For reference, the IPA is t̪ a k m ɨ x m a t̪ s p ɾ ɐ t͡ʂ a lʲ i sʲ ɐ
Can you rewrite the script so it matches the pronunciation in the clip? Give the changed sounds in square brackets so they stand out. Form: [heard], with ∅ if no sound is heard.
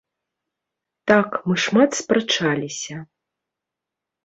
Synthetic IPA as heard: t̪ a k m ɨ [ʂ] m a t̪ s p ɾ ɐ t͡ʂ a lʲ i sʲ ɐ